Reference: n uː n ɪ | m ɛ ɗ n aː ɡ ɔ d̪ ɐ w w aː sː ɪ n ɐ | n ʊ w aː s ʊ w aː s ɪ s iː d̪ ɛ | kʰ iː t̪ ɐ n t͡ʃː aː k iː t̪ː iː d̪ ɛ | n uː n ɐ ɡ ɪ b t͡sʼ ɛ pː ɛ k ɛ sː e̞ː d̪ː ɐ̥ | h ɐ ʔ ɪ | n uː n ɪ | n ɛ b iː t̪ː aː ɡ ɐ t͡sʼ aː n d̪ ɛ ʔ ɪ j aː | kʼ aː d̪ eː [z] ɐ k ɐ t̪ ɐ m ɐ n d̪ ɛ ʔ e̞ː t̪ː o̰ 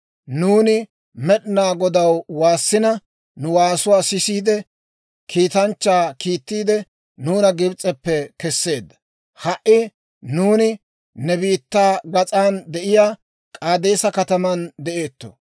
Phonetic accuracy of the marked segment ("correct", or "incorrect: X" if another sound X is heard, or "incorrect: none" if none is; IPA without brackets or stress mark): incorrect: s